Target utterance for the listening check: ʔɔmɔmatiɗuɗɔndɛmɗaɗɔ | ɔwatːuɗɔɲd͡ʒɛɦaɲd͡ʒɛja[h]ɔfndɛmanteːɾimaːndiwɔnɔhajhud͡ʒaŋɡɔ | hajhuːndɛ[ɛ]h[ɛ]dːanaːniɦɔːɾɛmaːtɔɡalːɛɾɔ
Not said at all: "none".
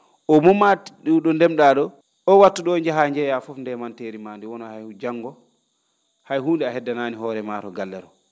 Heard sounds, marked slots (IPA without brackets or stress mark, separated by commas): f, a, ɛ